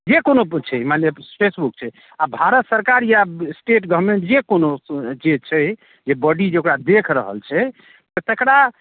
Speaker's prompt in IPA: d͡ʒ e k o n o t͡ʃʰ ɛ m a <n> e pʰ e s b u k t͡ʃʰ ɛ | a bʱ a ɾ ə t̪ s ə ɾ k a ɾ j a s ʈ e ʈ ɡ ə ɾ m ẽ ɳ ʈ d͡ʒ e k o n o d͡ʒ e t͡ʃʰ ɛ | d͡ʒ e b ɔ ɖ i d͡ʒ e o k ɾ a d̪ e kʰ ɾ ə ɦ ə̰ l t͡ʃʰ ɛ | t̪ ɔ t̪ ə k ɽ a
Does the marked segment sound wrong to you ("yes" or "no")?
no